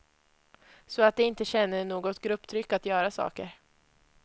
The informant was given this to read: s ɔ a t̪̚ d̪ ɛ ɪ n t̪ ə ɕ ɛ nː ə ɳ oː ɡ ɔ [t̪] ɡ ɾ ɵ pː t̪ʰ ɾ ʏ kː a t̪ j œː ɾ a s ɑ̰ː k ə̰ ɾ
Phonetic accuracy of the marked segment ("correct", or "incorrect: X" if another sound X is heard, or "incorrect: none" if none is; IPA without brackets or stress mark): correct